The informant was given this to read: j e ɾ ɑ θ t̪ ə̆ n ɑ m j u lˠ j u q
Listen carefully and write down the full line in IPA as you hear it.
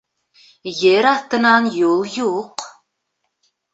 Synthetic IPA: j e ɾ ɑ θ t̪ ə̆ n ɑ n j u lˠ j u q